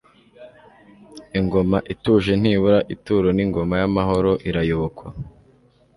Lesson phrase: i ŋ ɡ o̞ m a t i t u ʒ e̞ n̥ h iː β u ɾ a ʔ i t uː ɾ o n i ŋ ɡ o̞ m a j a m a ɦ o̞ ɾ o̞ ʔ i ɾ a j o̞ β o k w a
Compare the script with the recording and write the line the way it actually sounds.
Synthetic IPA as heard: i ŋ ɡ o̞ m a ʔ i t u ʒ e̞ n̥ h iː β u ɾ a ʔ i t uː ɾ o n i ŋ ɡ o̞ m a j a m a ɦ o̞ ɾ o̞ ʔ i ɾ a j o̞ β o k w a